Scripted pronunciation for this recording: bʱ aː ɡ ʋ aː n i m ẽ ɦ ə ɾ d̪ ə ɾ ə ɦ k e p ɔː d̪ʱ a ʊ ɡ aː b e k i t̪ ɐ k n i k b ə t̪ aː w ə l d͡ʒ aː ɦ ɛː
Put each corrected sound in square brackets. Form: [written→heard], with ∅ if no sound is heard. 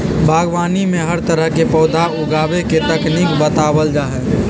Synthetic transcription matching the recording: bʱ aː ɡ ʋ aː n i m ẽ ɦ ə ɾ [d̪→t̪] ə ɾ ə ɦ k e p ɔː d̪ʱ a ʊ ɡ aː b e k [i→e] t̪ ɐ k n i k b ə t̪ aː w ə l d͡ʒ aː ɦ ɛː